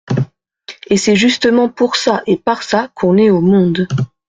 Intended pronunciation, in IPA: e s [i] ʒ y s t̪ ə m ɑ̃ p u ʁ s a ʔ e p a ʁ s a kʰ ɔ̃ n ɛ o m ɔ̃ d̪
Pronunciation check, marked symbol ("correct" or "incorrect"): incorrect